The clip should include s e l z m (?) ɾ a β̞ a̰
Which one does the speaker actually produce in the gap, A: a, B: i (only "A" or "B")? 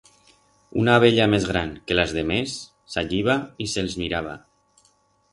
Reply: B